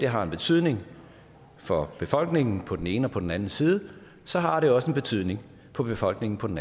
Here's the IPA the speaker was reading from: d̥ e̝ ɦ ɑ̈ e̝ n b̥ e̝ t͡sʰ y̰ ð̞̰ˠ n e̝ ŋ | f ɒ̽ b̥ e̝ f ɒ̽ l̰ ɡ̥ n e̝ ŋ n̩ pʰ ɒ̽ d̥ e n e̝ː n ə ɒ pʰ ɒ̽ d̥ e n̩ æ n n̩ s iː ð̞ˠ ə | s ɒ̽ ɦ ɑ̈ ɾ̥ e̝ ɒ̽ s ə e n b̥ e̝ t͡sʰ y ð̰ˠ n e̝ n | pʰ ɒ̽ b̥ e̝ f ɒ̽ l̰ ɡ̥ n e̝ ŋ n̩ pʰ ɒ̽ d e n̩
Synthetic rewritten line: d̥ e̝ ɦ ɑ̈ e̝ n b̥ e̝ t͡sʰ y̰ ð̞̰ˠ n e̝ ŋ | f ɒ̽ b̥ e̝ f ɒ̽ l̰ ɡ̥ n e̝ ŋ n̩ pʰ ɒ̽ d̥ e n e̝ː n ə ɒ pʰ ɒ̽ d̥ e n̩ æ n n̩ s iː ð̞ˠ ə | s ɒ̽ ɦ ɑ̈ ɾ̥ e̝ ɒ̽ s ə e n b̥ e̝ t͡sʰ y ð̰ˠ n e̝ ŋ | pʰ ɒ̽ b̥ e̝ f ɒ̽ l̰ ɡ̥ n e̝ ŋ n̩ pʰ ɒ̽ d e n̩